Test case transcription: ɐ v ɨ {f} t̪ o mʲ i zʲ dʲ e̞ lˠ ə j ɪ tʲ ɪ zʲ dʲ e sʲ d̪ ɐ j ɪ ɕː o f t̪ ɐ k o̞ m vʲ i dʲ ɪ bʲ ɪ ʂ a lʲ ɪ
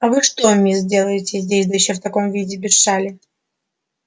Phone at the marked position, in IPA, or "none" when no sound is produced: ʂ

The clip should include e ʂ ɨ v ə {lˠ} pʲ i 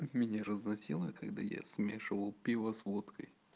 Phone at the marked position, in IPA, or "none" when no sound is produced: lˠ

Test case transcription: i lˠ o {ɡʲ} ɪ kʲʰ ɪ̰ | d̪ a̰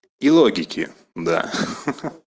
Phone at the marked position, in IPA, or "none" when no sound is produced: ɡʲ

